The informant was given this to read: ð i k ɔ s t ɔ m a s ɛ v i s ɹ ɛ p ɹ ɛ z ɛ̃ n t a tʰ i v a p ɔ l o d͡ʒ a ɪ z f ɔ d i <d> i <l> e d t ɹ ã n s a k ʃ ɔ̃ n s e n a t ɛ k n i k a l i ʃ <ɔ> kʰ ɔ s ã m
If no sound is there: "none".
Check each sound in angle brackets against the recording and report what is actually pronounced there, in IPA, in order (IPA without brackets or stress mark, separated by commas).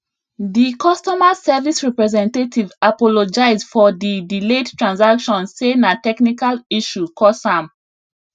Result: d, l, u